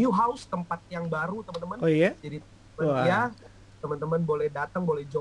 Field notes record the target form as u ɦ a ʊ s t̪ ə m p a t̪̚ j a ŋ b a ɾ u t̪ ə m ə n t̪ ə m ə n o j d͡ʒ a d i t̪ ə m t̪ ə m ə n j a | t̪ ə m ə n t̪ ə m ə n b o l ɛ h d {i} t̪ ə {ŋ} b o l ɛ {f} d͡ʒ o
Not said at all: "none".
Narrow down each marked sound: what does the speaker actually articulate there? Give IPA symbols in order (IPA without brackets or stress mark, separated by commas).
a, ŋ, h